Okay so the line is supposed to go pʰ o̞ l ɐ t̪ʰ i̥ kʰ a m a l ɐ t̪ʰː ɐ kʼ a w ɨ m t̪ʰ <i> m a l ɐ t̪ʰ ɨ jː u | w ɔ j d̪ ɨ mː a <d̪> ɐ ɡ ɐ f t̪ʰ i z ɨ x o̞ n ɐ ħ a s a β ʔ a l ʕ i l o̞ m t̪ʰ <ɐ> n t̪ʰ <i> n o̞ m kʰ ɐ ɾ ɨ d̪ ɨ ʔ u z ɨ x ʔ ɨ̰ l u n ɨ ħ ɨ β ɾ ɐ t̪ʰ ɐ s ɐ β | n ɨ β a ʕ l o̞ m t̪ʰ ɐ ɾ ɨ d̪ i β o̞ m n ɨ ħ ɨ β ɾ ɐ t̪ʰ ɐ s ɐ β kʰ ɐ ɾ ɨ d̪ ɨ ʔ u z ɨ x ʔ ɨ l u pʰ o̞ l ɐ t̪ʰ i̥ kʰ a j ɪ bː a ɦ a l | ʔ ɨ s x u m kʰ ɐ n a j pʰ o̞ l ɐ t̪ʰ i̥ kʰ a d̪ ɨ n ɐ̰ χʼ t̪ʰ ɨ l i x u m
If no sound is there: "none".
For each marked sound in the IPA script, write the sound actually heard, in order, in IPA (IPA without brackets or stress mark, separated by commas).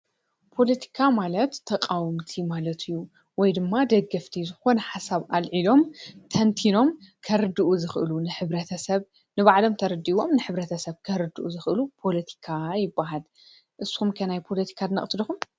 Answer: i, d̪, ɐ, i